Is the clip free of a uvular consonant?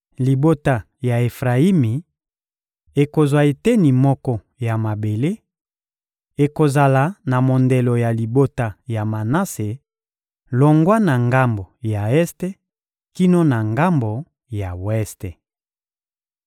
no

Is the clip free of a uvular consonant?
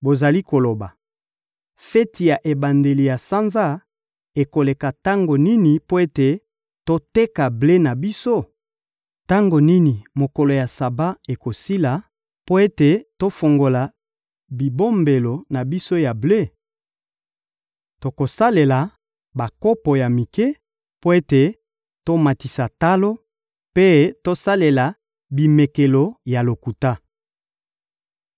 yes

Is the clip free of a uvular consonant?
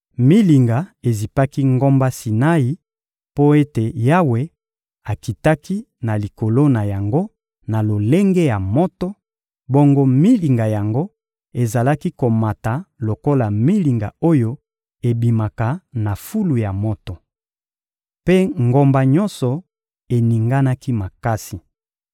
yes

